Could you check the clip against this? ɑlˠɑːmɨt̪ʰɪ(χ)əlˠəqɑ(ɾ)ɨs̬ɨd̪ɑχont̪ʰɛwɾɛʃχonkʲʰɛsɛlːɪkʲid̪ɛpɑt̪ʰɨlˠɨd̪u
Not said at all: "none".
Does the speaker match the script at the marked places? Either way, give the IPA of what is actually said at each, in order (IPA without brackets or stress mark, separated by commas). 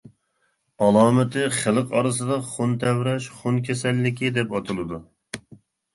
χ, ɾ